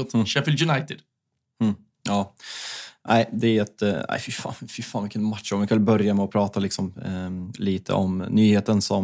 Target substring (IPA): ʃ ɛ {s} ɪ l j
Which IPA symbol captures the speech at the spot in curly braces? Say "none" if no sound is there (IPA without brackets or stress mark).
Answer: f